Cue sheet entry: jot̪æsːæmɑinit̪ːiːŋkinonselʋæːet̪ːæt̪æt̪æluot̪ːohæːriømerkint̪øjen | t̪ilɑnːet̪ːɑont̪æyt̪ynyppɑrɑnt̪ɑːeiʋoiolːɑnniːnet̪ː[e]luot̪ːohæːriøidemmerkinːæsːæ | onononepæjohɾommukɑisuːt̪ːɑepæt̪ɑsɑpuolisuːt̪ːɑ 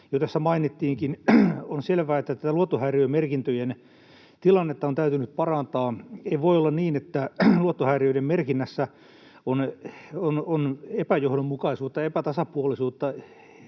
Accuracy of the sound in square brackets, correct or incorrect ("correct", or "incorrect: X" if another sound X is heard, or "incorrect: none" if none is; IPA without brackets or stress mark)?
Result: incorrect: æ